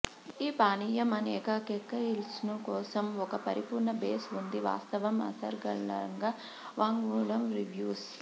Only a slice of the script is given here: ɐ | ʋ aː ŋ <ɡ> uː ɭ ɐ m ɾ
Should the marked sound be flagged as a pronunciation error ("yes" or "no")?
no